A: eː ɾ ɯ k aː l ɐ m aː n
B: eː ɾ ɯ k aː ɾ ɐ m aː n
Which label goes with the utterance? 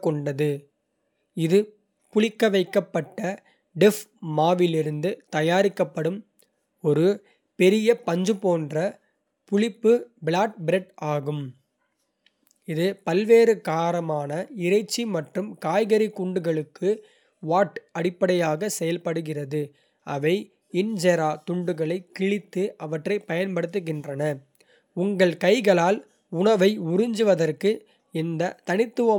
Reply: B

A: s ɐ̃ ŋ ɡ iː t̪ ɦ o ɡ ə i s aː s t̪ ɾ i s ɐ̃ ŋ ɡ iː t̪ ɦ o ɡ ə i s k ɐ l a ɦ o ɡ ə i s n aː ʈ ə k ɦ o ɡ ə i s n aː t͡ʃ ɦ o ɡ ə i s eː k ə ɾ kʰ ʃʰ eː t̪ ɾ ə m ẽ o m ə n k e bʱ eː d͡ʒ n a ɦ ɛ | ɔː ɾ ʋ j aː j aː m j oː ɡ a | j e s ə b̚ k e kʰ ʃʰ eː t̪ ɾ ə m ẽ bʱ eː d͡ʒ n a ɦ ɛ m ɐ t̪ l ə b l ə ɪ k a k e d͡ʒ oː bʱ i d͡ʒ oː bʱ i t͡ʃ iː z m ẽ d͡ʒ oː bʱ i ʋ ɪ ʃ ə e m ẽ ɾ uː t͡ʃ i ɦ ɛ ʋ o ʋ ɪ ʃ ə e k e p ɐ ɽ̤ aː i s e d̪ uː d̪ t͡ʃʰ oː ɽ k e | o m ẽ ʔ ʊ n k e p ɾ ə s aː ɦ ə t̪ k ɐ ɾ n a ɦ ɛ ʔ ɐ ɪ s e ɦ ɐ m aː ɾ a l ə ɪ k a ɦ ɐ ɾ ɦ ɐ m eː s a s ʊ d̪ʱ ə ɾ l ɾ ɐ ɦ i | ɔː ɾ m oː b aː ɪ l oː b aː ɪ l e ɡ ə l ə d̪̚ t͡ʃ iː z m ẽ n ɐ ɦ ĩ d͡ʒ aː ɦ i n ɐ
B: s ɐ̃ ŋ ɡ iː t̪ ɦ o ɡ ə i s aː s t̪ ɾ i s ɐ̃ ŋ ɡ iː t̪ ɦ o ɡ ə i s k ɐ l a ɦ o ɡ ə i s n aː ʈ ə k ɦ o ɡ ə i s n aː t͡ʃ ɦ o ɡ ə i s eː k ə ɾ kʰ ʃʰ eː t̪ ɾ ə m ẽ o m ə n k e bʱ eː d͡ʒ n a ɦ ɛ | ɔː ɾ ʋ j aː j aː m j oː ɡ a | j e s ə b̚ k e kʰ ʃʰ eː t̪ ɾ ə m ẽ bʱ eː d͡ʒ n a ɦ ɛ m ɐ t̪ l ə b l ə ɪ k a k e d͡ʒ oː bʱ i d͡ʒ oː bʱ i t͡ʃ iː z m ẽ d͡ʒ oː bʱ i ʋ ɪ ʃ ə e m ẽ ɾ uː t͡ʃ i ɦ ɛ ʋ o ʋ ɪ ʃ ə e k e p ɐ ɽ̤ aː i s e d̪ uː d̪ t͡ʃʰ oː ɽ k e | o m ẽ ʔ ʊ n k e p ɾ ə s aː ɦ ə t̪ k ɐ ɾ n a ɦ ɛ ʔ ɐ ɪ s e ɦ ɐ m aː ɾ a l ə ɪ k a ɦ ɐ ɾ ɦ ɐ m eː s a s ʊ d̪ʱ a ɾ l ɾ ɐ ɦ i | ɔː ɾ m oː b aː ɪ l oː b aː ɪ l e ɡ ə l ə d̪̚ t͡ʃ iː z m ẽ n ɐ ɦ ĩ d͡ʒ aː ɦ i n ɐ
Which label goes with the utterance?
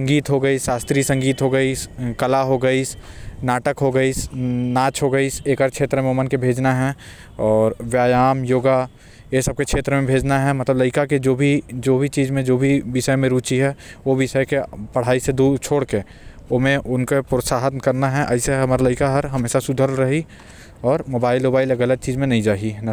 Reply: A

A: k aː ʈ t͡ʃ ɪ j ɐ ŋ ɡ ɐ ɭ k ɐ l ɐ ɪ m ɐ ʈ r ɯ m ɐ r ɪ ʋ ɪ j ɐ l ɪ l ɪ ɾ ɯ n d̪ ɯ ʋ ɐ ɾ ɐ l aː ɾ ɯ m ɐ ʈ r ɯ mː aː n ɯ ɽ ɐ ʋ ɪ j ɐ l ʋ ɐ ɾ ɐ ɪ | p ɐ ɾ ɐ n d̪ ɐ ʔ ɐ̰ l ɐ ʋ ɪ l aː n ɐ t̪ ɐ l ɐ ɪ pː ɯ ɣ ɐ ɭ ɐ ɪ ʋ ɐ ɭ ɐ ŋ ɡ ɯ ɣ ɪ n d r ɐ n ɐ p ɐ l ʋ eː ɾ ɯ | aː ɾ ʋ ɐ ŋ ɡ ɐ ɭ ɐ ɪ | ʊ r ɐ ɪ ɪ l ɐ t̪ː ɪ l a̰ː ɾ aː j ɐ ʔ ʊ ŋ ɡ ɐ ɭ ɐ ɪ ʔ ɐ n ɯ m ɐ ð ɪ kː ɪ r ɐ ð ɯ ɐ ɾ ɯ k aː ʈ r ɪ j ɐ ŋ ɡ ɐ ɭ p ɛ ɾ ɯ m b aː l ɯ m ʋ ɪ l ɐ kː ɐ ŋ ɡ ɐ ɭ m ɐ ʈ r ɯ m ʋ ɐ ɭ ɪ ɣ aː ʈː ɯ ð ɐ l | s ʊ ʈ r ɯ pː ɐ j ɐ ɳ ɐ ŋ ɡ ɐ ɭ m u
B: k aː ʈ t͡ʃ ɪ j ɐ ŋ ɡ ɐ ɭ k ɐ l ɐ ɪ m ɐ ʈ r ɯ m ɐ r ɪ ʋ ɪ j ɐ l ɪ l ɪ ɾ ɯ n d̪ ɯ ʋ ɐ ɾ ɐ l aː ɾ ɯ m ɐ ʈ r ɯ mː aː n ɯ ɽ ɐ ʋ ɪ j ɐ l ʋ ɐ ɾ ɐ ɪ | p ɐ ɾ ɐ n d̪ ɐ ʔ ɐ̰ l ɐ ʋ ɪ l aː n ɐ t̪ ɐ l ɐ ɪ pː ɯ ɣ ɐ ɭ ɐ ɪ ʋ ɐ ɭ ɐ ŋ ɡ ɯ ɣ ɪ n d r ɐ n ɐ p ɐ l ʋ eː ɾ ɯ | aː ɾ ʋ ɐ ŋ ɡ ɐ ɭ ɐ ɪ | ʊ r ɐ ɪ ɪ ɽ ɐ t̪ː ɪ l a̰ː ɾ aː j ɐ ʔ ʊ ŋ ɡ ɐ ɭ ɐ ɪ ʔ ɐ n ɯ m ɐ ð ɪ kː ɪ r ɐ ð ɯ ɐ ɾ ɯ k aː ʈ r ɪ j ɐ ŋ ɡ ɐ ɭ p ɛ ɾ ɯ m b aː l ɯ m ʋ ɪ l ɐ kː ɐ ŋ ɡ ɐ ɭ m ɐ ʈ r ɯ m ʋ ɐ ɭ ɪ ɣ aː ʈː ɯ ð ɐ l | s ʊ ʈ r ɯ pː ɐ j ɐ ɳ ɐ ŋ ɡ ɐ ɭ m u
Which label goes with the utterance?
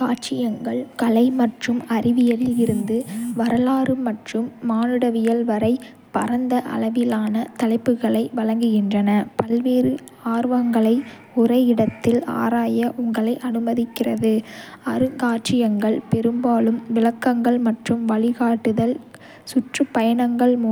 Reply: B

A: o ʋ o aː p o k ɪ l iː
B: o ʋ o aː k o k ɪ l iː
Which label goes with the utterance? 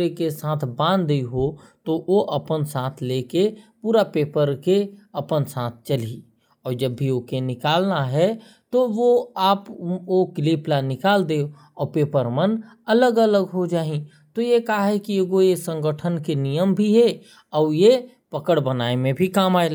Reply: A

